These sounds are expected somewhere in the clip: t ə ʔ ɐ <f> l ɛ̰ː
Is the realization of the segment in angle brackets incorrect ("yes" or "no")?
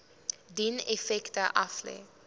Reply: no